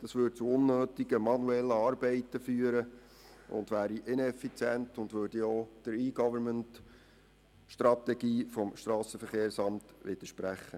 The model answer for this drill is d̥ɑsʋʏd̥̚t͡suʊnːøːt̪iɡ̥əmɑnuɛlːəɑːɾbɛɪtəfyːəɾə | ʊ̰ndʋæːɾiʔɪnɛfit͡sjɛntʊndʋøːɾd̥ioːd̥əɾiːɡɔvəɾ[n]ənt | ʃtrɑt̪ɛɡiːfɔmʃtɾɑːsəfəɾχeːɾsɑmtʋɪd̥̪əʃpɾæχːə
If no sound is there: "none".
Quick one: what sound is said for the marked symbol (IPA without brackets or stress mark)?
m